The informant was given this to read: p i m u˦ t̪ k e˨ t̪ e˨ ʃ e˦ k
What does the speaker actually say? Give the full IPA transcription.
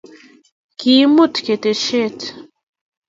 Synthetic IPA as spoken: k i m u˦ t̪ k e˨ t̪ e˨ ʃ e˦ t